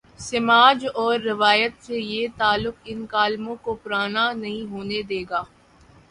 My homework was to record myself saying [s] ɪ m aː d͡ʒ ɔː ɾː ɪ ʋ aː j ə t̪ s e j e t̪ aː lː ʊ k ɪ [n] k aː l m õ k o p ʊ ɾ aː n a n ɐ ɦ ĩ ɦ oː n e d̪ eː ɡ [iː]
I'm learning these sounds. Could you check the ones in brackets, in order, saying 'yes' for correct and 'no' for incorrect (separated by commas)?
yes, yes, no